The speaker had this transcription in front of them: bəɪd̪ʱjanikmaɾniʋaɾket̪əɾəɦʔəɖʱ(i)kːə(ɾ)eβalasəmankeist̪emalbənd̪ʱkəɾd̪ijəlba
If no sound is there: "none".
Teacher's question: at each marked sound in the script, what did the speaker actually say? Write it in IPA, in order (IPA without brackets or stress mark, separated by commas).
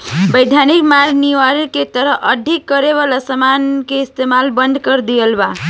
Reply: i, ɾ